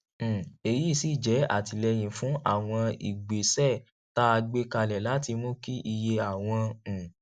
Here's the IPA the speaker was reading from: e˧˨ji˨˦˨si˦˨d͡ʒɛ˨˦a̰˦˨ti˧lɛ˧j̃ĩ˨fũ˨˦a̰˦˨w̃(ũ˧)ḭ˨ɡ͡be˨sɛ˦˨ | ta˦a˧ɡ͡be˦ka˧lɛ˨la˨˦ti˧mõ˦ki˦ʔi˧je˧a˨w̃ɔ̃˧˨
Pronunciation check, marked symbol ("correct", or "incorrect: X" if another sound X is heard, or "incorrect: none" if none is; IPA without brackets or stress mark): incorrect: ɔ̃˧